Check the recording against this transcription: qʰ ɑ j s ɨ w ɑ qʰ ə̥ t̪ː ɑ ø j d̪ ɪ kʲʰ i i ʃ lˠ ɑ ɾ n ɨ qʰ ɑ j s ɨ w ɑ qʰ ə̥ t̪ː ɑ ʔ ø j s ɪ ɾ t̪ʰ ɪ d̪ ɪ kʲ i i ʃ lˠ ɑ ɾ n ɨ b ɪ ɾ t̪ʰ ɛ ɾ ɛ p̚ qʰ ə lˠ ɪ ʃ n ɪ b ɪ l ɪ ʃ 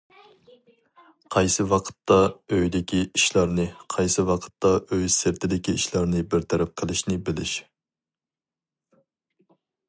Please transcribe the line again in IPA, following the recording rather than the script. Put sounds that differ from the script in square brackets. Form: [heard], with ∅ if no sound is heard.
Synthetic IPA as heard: qʰ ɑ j s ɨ w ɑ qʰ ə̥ t̪ː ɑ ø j d̪ ɪ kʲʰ i i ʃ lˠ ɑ ɾ n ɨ qʰ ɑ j s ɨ w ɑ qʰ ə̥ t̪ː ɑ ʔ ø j s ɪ ɾ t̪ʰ ɪ d̪ ɪ kʲ i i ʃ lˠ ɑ ɾ n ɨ b ɪ ɾ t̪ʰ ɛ ɾ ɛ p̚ qʰ ə lˠ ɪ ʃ n ɪ b ɪ l ɪ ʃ

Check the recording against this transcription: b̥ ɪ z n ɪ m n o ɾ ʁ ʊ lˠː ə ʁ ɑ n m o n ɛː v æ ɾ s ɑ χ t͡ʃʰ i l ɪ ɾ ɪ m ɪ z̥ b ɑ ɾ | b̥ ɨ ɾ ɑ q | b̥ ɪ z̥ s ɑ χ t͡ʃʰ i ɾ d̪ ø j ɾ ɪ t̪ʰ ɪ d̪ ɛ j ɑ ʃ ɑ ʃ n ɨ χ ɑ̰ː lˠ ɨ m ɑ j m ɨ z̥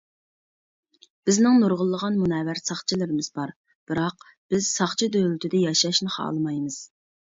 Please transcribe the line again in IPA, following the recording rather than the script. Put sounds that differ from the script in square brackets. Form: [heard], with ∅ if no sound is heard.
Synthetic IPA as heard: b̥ ɪ z n ɪ [ŋ] n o ɾ ʁ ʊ lˠː ə ʁ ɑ n m [u] n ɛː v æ ɾ s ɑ χ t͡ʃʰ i l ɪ ɾ ɪ m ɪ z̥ b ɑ ɾ | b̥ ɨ ɾ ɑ q | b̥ ɪ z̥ s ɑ χ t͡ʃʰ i [∅] d̪ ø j [l] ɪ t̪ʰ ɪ d̪ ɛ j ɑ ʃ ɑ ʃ n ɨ χ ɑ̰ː lˠ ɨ m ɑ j m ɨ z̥

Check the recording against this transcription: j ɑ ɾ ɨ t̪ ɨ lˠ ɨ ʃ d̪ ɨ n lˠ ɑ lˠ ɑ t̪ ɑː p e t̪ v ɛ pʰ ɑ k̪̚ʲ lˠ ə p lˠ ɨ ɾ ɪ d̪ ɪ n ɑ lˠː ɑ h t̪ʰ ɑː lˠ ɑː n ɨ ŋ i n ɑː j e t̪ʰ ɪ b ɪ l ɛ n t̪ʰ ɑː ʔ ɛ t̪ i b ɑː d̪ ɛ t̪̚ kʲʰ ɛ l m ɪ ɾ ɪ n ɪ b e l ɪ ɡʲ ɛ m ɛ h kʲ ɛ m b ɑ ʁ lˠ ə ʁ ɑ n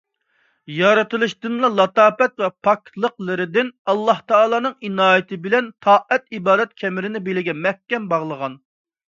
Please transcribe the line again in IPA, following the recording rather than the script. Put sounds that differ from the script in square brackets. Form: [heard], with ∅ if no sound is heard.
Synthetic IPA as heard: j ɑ ɾ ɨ t̪ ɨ lˠ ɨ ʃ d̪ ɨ n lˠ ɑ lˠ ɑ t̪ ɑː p [ɛ] t̪ v ɛ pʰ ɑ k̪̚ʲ lˠ ə [q] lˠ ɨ ɾ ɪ d̪ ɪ n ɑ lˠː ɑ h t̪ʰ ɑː lˠ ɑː n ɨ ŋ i n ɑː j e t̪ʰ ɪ b ɪ l ɛ n t̪ʰ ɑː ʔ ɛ t̪ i b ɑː d̪ ɛ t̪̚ kʲʰ ɛ [∅] m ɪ ɾ ɪ n ɪ b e l ɪ ɡʲ ɛ m ɛ h kʲ ɛ m b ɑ ʁ lˠ ə ʁ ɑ n

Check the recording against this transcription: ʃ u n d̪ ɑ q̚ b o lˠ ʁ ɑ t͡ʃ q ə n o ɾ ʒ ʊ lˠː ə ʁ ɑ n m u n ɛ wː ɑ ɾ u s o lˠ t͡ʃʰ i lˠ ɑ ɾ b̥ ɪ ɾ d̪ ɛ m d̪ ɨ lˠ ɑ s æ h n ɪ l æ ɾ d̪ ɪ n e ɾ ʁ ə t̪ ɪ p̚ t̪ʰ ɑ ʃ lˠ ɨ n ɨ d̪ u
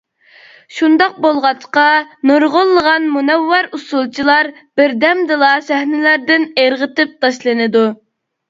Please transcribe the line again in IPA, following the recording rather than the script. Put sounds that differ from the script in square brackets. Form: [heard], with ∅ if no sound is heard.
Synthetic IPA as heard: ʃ u n d̪ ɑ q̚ b o lˠ ʁ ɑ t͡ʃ q [ɑ] n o ɾ [ʁ] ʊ lˠː ə ʁ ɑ n m u n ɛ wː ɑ ɾ u s [u] lˠ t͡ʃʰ i lˠ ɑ ɾ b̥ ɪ ɾ d̪ ɛ m d̪ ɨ lˠ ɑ s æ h n ɪ l æ ɾ d̪ ɪ n e ɾ ʁ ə t̪ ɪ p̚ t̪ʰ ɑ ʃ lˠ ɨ n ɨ d̪ u

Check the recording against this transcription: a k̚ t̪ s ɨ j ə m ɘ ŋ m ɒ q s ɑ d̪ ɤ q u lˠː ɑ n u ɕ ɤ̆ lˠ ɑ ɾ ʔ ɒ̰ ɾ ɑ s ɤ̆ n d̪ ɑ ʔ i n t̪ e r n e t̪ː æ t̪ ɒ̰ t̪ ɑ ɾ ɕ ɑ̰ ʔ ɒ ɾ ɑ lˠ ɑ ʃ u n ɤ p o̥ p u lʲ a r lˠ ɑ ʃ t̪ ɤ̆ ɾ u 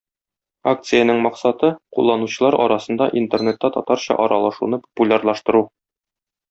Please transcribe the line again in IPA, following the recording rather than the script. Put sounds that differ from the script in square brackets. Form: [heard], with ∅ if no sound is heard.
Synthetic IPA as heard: a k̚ t̪ s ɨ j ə [n] ɘ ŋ m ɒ q s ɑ [t̪] ɤ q u lˠː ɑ n u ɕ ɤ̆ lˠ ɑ ɾ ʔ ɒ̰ ɾ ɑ s ɤ̆ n d̪ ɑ ʔ i n t̪ e r n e t̪ː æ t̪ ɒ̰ t̪ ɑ ɾ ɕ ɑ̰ ʔ ɒ ɾ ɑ lˠ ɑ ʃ u n ɤ p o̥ p u lʲ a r lˠ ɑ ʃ t̪ ɤ̆ ɾ u

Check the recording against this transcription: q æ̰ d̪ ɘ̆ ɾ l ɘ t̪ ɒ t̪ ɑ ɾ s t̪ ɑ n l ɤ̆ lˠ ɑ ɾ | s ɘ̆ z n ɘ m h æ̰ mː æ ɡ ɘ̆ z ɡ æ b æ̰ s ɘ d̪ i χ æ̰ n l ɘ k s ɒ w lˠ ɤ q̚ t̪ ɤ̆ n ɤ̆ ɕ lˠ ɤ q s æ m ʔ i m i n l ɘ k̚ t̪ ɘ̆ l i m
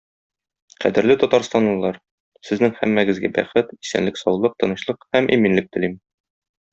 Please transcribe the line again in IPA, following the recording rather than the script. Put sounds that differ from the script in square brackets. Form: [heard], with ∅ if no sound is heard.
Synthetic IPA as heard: q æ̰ d̪ ɘ̆ ɾ l ɘ t̪ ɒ t̪ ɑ ɾ s t̪ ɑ n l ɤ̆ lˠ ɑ ɾ | s ɘ̆ z n ɘ [ŋ] h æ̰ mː æ ɡ ɘ̆ z ɡ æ b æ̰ [χ] ɘ [t̪] i [s] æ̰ n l ɘ k s ɒ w lˠ ɤ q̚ t̪ ɤ̆ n ɤ̆ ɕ lˠ ɤ q [h] æ m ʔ i m i n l ɘ k̚ t̪ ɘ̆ l i m

